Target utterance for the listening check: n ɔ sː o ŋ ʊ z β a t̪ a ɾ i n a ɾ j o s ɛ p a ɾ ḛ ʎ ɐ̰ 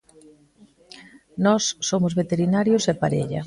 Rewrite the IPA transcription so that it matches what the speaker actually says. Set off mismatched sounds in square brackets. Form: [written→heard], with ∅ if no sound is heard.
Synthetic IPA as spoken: n ɔ sː o [ŋ→m] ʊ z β [a→e] t̪ [a→e] ɾ i n a ɾ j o s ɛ p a ɾ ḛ ʎ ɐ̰